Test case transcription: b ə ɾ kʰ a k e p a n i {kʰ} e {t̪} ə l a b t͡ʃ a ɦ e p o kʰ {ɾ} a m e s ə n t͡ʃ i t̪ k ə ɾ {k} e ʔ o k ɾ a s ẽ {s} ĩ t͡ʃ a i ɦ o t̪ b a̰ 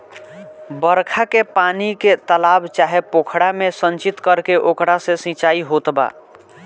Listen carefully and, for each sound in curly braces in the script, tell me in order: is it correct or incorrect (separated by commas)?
incorrect, correct, incorrect, correct, correct